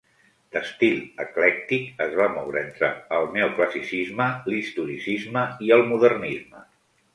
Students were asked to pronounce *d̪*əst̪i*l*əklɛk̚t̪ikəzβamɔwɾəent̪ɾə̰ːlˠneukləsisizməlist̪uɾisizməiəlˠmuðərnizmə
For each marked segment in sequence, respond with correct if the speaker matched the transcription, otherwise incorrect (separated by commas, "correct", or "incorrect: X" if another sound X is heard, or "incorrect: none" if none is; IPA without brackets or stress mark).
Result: correct, correct